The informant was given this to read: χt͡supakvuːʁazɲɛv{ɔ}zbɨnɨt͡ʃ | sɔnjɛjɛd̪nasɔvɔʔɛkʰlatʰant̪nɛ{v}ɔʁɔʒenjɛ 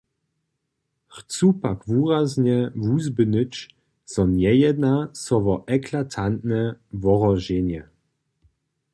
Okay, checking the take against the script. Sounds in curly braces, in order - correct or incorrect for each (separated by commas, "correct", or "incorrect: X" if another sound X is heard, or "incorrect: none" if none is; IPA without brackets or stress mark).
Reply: incorrect: u, correct